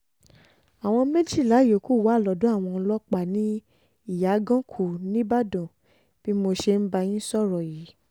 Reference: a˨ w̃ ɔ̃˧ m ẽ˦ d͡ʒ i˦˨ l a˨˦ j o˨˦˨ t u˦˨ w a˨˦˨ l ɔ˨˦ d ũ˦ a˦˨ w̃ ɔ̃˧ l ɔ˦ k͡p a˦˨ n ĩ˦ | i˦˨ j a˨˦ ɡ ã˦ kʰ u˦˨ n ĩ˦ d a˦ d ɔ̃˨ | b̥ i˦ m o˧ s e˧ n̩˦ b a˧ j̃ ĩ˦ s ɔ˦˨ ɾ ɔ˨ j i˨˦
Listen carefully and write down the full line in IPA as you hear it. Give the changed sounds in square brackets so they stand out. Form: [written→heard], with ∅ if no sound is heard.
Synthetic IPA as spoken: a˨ w̃ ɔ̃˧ m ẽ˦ d͡ʒ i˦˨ l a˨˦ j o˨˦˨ [t→k] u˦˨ w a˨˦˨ l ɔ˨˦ d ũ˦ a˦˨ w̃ ɔ̃˧ l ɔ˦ k͡p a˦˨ n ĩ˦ | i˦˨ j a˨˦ ɡ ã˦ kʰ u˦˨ n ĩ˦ [d→b] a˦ d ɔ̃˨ | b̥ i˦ m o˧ [s→ʃ] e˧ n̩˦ b a˧ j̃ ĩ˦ s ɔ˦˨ ɾ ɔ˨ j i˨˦

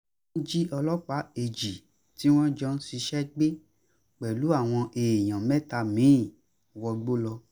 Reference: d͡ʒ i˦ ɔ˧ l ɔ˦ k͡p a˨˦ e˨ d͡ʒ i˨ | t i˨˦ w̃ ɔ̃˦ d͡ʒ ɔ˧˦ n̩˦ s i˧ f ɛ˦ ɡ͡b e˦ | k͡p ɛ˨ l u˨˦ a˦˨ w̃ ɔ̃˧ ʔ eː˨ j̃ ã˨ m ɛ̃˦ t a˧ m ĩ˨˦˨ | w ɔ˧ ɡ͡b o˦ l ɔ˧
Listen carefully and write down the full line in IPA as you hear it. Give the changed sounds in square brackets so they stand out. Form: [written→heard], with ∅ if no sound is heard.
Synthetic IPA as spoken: d͡ʒ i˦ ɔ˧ l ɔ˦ k͡p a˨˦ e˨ d͡ʒ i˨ | t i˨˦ w̃ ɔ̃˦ d͡ʒ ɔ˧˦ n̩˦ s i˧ [f→ʃ] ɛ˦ ɡ͡b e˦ | k͡p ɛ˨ l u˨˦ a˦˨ w̃ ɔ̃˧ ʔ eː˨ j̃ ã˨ m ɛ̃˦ t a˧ m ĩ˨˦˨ | w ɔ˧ ɡ͡b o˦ l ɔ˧

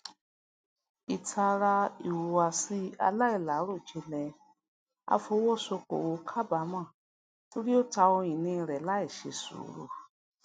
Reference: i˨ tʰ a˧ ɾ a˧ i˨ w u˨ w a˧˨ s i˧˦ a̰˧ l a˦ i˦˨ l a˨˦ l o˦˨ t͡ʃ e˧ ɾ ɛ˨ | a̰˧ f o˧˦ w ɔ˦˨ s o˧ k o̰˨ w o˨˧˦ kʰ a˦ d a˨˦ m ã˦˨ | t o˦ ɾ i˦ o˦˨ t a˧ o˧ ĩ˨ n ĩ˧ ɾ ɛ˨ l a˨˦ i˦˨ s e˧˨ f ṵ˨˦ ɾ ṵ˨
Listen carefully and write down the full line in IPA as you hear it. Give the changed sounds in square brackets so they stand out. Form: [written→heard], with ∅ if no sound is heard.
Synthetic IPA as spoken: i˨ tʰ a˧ ɾ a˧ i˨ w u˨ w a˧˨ s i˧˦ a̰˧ l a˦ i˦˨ l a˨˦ [l→ɾ] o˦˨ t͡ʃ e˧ [ɾ→l] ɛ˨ | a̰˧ f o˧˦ w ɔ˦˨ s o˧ k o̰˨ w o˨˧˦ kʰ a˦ [d→b] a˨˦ m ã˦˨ | t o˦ ɾ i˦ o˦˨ t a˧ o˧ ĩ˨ n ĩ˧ ɾ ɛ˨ l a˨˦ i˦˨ [s→ʃ] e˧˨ [f→s] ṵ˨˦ ɾ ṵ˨

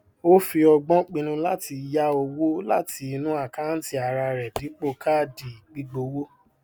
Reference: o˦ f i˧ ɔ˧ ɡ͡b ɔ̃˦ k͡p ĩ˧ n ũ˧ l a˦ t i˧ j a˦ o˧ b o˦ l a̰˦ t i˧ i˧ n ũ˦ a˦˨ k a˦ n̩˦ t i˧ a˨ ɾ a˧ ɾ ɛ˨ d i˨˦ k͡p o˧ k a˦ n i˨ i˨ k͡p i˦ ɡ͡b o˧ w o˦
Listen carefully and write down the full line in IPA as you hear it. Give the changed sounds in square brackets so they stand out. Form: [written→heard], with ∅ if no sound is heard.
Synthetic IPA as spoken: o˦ f i˧ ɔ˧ ɡ͡b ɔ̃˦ k͡p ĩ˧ n ũ˧ l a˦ t i˧ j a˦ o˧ [b→w] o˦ l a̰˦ t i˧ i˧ n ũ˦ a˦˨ k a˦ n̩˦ t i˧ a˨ ɾ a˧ ɾ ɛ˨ d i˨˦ k͡p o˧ k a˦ [n→d] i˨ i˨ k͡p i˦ ɡ͡b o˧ w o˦

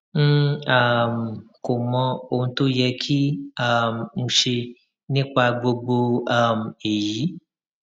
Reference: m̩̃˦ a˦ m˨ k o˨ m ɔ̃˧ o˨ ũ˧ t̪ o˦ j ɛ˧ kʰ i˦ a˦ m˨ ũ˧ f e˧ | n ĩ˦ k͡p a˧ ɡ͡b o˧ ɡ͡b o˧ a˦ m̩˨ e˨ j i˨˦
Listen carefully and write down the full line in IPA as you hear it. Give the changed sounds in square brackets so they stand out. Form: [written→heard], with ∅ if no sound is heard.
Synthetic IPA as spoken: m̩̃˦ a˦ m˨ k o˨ m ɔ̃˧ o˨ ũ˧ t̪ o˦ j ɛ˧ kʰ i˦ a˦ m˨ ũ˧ [f→ʃ] e˧ | n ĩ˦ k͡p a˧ ɡ͡b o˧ ɡ͡b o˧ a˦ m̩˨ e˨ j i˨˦

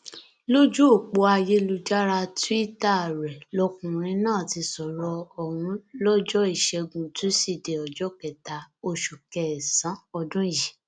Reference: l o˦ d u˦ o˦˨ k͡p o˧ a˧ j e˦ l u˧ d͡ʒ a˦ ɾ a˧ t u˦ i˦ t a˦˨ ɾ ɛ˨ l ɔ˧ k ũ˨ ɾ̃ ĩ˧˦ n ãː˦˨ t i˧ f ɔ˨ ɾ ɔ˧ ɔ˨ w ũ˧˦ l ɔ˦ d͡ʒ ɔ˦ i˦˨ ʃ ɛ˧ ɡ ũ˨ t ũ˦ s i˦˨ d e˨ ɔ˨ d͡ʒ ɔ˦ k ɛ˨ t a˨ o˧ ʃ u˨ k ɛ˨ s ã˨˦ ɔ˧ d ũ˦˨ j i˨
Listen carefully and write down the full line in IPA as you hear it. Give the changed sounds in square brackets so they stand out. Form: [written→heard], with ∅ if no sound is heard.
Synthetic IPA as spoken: l o˦ [d→d͡ʒ] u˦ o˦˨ k͡p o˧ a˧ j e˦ l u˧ d͡ʒ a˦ ɾ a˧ t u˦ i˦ t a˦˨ ɾ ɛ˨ l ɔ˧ k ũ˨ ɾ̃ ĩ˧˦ n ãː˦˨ t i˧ [f→s] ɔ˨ ɾ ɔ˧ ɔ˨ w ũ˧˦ l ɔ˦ d͡ʒ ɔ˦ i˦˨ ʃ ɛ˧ ɡ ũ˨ t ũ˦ s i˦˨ d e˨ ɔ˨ d͡ʒ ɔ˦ k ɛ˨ t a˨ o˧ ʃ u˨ k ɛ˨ s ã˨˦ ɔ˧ d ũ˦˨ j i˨

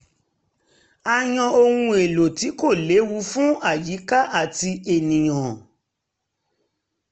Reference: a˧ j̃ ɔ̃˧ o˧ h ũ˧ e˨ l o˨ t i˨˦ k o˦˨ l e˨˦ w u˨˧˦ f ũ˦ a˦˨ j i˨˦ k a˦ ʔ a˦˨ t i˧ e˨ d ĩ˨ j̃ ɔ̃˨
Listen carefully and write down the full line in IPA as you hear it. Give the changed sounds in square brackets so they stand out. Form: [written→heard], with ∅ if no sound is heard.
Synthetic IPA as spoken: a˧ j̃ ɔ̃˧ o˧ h ũ˧ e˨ l o˨ t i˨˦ k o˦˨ l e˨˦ w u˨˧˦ f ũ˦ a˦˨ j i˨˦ k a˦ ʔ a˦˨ t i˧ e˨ [d→n] ĩ˨ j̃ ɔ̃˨

